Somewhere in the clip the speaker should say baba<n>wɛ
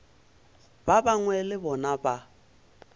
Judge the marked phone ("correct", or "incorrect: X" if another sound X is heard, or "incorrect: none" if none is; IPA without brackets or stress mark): incorrect: ŋ